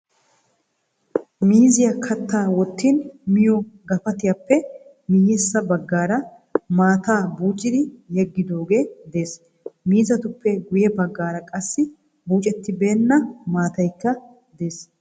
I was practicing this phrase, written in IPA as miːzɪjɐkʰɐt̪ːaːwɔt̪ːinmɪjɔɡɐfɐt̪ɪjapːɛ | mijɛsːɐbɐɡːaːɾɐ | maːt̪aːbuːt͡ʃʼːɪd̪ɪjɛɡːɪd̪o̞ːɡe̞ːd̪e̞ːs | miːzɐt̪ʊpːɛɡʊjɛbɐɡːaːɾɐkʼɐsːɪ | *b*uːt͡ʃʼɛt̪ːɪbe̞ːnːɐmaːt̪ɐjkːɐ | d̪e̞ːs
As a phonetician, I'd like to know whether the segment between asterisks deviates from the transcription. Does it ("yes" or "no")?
no